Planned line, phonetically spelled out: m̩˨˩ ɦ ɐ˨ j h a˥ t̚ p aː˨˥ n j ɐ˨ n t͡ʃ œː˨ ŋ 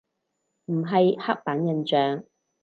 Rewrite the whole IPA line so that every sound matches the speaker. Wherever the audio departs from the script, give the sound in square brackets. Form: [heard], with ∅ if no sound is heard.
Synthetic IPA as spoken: m̩˨˩ ɦ ɐ˨ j h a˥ [k̚] p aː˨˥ n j ɐ˨ n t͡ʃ œː˨ ŋ

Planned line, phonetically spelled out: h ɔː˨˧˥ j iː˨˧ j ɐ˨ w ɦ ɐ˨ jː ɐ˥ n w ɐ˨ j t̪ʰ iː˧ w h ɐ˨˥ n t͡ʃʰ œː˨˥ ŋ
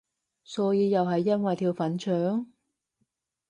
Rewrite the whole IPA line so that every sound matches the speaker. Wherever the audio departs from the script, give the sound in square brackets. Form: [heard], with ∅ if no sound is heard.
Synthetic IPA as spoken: [s] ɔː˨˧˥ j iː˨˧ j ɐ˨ w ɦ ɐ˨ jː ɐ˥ n w ɐ˨ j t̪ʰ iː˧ w [f] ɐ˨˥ n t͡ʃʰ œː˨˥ ŋ

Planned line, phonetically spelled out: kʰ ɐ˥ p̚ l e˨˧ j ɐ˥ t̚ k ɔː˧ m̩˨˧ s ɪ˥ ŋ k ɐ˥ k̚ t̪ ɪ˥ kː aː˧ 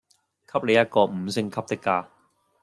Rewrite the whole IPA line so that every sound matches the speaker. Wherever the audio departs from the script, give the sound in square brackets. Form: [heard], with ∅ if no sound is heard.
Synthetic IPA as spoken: kʰ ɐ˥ p̚ l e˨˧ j ɐ˥ t̚ k ɔː˧ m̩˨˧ s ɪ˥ ŋ [kʰ] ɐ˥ [p̚] t̪ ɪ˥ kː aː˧

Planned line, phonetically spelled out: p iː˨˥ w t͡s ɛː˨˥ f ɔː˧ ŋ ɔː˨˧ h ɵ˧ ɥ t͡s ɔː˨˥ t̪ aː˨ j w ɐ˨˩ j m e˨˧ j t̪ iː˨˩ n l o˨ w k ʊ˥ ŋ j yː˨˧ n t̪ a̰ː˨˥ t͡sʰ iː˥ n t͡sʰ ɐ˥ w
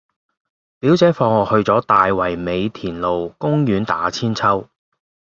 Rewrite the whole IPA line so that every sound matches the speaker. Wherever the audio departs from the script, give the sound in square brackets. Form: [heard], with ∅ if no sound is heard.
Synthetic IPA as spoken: p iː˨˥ w t͡s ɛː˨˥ f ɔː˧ ŋ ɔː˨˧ h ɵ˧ ɥ t͡s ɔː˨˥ t̪ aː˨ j w ɐ˨˩ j m e˨˧ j [t̪ʰ] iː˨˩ n l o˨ w k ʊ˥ ŋ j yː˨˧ n t̪ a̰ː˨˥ t͡sʰ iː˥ n t͡sʰ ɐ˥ w

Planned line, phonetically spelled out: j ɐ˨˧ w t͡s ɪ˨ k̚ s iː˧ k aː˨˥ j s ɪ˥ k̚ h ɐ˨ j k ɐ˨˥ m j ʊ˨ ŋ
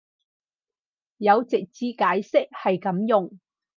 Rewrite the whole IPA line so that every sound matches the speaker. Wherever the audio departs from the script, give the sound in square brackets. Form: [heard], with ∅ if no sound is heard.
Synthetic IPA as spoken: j ɐ˨˧ w t͡s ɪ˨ k̚ [t͡s] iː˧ k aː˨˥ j s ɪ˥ k̚ h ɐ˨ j k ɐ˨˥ m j ʊ˨ ŋ

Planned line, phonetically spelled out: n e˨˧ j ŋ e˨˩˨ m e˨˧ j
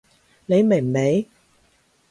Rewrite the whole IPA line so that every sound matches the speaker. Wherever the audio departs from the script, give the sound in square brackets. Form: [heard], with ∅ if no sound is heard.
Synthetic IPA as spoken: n e˨˧ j [m] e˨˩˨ m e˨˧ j

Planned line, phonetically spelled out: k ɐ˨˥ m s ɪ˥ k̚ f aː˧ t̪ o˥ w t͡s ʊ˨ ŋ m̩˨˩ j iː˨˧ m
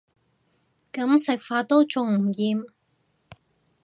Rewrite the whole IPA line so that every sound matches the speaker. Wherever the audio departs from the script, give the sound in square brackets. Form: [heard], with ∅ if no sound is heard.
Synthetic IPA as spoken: k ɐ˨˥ m s [ɪ˨] k̚ f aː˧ t̪ o˥ w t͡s ʊ˨ ŋ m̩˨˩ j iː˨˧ m

